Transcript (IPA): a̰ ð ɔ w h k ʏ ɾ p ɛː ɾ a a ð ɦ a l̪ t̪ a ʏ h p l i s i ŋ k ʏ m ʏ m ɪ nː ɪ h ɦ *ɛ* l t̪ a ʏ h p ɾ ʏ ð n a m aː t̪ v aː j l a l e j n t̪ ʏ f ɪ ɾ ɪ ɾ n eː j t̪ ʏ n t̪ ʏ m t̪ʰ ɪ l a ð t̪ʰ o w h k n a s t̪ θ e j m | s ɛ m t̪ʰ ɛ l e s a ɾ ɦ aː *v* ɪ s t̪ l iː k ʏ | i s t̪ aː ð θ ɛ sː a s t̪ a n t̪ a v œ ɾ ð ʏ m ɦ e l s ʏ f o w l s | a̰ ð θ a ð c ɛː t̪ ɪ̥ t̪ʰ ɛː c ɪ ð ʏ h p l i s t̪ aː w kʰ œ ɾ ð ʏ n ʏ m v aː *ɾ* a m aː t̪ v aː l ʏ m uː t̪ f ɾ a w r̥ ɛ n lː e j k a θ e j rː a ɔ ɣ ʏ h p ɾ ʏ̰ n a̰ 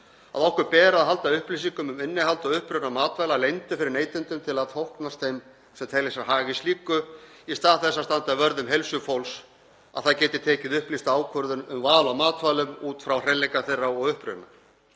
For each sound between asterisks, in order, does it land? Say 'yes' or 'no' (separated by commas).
no, no, no